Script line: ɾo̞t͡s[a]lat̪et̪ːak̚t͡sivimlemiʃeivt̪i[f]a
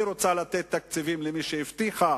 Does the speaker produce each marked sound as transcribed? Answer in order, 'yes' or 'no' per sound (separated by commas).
yes, no